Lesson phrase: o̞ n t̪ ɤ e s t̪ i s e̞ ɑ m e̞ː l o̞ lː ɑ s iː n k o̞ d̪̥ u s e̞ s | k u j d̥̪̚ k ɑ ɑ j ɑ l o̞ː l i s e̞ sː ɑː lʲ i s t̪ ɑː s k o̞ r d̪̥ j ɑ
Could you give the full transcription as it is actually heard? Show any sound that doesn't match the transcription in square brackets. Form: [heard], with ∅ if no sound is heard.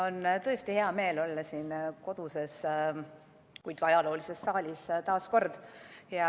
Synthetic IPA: o̞ n t̪ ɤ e s t̪ i [h] e̞ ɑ m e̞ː l o̞ lː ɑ s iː n k o̞ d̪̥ u s e̞ s | k u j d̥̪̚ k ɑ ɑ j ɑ l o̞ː l i s e̞ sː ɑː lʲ i s t̪ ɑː s k o̞ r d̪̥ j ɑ

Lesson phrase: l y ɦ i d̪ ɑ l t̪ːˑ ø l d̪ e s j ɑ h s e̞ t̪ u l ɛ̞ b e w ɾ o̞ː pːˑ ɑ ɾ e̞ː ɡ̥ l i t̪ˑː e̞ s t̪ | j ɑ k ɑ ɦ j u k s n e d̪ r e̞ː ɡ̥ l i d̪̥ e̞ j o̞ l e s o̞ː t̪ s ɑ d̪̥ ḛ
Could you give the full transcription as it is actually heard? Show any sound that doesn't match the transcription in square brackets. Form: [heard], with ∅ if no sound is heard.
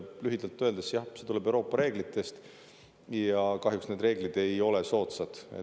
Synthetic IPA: l y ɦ i d̪ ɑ l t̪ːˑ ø l d̪ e s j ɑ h s e̞ t̪ u l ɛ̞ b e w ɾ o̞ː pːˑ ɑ ɾ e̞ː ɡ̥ l i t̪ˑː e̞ s t̪ | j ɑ k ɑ ɦ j u k s n e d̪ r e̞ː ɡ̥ l i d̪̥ e̞ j o̞ l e s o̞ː t̪ s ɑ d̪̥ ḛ

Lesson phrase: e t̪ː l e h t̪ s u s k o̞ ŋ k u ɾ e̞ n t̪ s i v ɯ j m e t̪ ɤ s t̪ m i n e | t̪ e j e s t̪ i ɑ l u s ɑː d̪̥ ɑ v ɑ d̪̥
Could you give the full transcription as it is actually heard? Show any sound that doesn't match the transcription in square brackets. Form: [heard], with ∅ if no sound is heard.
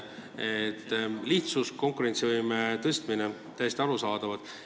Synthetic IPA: e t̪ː l [i] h t̪ s u s k o̞ ŋ k u ɾ e̞ n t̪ s i v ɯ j m e t̪ ɤ s t̪ m i n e | t̪ [æ] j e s t̪ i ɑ [ɾ] u s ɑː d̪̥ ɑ v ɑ d̪̥

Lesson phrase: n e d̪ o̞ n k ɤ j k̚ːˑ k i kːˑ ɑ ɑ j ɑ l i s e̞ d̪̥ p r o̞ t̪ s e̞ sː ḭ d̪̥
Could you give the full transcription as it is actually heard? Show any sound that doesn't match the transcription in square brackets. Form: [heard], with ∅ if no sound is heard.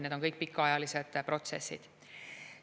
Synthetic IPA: n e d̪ o̞ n k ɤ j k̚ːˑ [p] i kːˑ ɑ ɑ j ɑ l i s e̞ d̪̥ p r o̞ t̪ s e̞ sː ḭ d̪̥

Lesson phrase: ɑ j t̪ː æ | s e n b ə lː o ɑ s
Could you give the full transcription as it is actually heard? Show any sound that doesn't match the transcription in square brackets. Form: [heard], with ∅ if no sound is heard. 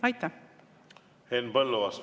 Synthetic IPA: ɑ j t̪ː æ | [h] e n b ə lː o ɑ s

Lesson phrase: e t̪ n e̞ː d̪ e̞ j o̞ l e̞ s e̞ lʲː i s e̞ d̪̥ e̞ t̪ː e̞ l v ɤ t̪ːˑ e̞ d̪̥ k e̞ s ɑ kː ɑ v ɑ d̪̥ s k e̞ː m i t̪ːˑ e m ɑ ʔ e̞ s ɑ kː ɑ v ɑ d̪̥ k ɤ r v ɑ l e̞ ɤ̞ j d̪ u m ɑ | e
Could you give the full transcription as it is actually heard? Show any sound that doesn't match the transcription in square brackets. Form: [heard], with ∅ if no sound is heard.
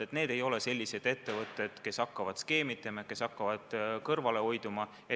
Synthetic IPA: e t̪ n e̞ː d̪ e̞ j o̞ l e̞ s e̞ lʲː i s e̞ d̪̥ e̞ t̪ː e̞ [∅] v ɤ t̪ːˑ e̞ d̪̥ k e̞ s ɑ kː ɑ v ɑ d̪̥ s k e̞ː m i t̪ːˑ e m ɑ [k] e̞ s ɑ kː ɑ v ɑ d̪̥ k ɤ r v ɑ l e̞ [o̞] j d̪ u m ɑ | e

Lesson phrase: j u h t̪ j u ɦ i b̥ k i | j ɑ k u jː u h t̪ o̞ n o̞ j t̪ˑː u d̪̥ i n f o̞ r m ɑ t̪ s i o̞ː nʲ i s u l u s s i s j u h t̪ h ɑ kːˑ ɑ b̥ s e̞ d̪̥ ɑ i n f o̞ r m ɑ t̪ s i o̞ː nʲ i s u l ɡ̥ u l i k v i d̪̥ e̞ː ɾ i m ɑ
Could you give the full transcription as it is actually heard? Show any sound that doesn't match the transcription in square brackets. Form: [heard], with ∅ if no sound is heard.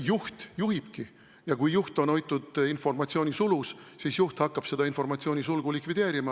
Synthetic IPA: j u h t̪ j u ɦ i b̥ k i | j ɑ k u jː u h t̪ o̞ n o̞ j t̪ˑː u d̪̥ i n f o̞ r m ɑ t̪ s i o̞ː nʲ i s u l u s s i s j u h t̪ h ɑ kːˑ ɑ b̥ s e̞ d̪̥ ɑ i n f o̞ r m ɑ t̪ s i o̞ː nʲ i s u l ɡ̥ u l i k v i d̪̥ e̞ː ɾ i m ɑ

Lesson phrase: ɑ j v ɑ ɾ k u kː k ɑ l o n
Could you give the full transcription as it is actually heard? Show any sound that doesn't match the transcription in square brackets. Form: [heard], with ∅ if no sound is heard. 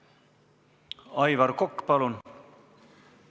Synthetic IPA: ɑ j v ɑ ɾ k [o] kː [p] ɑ l [u] n

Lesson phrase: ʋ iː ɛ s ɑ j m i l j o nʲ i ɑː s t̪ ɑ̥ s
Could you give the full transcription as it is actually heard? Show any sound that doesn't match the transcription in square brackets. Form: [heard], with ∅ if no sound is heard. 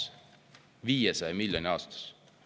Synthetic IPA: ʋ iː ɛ s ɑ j m i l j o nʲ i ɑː s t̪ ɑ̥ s

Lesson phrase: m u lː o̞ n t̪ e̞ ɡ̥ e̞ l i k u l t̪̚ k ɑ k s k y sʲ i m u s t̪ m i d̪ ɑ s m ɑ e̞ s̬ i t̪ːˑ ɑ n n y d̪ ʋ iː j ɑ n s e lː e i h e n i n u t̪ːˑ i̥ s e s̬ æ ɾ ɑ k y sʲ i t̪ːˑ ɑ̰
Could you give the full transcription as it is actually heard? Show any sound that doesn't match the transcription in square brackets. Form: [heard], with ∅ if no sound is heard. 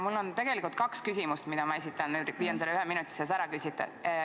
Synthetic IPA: m u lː o̞ n t̪ e̞ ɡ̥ e̞ l i k u l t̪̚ k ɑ k s k y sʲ i m u s t̪ m i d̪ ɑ [∅] m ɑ e̞ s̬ i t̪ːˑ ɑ n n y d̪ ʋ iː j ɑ n s e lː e [y] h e [m] i n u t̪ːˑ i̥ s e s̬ æ ɾ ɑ k y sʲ i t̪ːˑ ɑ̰

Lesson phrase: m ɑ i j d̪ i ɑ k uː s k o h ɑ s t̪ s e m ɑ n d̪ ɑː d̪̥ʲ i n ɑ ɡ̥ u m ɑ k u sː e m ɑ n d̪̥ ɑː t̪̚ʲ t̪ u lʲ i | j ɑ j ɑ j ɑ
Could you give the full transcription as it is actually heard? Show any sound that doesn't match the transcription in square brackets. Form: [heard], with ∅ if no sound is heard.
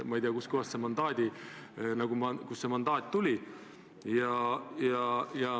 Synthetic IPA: m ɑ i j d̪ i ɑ k [u] s k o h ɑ s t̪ s e m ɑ n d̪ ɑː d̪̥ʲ i n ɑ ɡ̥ u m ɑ k u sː e m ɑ n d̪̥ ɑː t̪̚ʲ t̪ u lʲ i | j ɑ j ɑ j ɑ

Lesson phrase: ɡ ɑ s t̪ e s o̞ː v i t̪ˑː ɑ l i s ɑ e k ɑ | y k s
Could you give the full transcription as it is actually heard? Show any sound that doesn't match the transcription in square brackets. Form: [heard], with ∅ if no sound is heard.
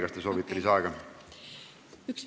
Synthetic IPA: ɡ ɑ s t̪ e s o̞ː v i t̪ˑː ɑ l i s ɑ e [ɡ] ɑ | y k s

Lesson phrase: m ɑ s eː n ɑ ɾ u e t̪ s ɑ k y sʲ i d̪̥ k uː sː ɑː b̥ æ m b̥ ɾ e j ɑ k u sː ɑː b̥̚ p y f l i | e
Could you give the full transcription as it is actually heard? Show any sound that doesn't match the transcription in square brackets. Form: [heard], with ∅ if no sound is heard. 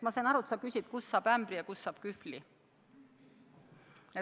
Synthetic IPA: m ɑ s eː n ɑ ɾ u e t̪ s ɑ k y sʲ i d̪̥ k [u] sː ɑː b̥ æ m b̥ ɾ [i] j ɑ k u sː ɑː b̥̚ [k] y f l i | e

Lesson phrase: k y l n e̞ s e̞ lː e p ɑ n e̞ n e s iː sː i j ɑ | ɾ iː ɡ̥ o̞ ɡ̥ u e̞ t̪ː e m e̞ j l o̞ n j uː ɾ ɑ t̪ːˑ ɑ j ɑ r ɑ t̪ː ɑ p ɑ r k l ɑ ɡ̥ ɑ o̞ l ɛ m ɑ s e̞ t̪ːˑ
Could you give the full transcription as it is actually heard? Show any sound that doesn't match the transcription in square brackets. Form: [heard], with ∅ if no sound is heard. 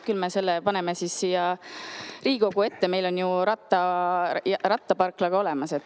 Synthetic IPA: k y l [m] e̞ s e̞ lː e p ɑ n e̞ [m] e s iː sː i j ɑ | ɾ iː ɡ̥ o̞ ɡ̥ u e̞ t̪ː e m e̞ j l o̞ n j [u] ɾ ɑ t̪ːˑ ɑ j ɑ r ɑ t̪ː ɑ p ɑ r k l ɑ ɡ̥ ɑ o̞ l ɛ m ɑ s e̞ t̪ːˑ

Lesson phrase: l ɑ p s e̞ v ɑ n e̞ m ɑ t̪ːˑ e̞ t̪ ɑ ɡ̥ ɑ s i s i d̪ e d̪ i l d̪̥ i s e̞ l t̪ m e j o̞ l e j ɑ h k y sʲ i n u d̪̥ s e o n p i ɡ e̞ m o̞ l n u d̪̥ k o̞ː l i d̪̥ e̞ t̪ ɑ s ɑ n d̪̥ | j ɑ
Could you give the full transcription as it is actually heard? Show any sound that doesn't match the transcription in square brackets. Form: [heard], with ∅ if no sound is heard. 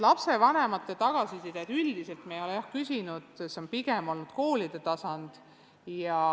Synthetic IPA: l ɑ p s e̞ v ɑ n e̞ m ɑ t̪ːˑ e̞ t̪ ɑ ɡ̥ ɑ s i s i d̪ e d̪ [y] l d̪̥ i s e̞ l t̪ m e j o̞ l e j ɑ h k y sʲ i n u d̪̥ s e o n p i ɡ e̞ m o̞ l n u d̪̥ k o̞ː l i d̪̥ e̞ t̪ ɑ s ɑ n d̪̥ | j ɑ

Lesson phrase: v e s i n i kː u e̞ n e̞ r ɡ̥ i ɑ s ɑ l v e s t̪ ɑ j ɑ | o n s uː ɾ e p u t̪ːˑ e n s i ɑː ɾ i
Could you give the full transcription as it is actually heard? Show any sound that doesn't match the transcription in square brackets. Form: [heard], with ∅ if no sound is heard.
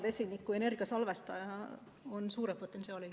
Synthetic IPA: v e s i n i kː u e̞ n e̞ r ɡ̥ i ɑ s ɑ l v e s t̪ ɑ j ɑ | o n s uː ɾ e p [o] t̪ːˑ e n s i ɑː [l] i

